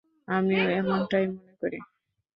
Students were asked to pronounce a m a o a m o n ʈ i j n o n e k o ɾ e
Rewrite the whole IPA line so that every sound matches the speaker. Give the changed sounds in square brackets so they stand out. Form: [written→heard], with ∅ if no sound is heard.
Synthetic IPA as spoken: a m [a→i] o [a→e] m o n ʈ [i→a] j [n→m] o n e k o ɾ [e→i]